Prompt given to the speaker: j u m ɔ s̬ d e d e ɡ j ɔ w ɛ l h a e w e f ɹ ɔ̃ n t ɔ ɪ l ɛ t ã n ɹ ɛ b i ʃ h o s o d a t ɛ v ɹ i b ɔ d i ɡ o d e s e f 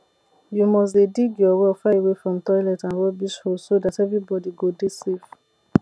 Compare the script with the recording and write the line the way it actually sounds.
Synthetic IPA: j u m ɔ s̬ d e d i ɡ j ɔ w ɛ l f a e w e f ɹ ɔ̃ m t ɔ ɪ l ɛ t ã n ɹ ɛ b i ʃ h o s o d a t ɛ v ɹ i b ɔ d i ɡ o d e s e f